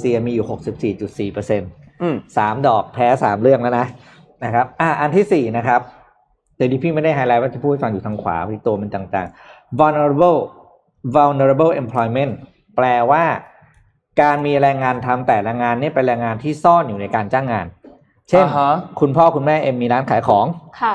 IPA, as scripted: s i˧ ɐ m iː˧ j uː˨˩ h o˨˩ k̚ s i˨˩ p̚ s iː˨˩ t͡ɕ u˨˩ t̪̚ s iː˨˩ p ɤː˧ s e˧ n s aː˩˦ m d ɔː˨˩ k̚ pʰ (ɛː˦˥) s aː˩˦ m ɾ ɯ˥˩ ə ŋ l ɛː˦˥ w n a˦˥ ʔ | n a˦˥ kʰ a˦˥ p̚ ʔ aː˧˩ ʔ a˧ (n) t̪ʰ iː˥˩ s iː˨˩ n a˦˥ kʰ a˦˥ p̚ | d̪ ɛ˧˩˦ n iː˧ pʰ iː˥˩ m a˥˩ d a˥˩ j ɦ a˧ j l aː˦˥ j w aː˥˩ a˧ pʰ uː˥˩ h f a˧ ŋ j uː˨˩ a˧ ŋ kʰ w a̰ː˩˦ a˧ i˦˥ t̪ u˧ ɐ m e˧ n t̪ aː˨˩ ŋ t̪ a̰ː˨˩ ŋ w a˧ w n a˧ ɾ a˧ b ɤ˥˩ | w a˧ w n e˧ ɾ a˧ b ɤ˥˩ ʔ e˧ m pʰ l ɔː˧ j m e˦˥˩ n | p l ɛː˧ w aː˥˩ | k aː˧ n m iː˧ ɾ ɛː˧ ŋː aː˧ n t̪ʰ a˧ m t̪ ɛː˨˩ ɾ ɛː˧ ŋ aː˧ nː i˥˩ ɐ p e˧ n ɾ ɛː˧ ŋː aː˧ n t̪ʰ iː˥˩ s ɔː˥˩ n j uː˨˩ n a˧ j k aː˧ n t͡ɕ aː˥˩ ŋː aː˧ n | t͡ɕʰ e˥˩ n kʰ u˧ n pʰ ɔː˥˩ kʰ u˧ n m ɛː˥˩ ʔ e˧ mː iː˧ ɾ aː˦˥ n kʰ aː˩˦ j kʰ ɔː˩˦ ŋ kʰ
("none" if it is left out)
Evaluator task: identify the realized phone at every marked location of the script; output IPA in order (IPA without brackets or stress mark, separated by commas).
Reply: ɛː˦˥, n